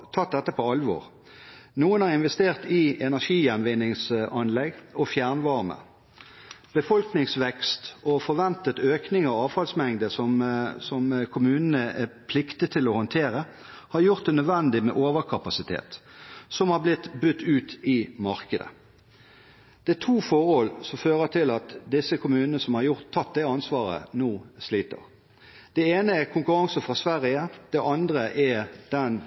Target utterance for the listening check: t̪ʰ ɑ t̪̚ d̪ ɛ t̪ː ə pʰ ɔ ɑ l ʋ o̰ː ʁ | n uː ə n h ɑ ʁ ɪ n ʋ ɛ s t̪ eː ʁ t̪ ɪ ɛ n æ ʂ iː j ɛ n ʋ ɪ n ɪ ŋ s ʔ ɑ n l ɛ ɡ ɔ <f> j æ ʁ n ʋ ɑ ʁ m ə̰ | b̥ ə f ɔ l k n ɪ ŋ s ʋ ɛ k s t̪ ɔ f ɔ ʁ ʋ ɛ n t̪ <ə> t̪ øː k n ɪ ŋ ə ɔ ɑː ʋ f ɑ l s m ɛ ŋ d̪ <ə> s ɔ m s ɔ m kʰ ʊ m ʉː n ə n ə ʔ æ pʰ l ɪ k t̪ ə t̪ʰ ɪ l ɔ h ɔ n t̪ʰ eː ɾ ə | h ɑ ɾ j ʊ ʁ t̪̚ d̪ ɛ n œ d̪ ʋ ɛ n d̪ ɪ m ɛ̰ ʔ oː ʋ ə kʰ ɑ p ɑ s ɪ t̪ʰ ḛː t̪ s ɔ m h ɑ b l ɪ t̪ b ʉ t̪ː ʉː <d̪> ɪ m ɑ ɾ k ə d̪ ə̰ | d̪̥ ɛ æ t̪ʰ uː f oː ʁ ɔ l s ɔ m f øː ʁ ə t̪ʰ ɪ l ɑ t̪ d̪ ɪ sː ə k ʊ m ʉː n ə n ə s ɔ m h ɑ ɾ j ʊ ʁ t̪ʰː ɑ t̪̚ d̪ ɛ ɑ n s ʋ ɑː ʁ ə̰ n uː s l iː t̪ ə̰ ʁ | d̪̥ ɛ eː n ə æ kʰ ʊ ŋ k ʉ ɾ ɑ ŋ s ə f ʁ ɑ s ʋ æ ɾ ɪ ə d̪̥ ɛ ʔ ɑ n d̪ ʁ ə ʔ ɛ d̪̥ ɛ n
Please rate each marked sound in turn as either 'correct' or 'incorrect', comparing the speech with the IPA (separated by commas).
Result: correct, correct, correct, incorrect